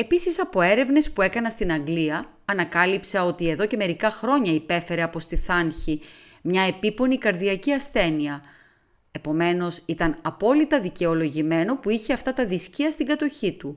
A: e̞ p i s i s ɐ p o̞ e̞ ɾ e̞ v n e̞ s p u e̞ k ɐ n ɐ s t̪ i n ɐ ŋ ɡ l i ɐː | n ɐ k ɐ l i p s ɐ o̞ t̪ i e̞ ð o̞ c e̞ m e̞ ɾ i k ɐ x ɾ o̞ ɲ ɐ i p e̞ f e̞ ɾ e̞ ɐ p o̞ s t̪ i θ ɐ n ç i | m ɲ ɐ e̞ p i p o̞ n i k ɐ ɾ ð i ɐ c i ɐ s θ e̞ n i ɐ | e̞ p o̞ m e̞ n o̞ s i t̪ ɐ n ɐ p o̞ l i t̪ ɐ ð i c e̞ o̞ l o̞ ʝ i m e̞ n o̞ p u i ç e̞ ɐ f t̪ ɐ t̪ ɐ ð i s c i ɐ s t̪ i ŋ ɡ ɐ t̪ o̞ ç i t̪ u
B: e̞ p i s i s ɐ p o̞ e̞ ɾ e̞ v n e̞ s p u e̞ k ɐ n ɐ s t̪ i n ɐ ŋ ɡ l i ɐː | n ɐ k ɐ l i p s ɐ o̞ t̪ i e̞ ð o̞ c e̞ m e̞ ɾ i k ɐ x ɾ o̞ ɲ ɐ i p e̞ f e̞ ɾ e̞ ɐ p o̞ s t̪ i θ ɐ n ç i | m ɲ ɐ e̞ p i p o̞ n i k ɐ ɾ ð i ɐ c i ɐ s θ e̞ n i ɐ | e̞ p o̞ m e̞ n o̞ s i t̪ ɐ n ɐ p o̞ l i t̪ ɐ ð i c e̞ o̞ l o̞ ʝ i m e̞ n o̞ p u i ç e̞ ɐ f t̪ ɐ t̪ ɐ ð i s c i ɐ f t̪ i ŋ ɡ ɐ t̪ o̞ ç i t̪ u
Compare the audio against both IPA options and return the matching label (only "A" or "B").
A